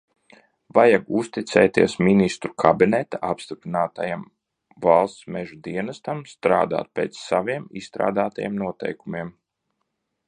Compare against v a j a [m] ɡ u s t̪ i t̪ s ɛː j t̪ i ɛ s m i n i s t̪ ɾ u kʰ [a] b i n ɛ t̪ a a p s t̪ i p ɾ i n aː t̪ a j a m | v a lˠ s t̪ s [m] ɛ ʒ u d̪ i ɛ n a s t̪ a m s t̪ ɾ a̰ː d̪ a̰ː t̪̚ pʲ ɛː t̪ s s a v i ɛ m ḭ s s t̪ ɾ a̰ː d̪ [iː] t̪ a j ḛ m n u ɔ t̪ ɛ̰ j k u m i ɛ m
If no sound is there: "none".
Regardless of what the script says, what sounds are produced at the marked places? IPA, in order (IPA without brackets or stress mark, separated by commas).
none, a, m, aː